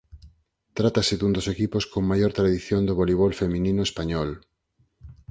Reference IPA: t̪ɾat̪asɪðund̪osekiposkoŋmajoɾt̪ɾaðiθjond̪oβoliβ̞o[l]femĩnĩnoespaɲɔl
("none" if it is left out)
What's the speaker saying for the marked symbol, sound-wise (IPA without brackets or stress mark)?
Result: l